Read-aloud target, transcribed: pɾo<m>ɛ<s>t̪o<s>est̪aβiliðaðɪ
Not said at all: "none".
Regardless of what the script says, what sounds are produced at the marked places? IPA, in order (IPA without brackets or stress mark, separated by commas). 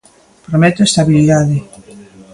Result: m, none, none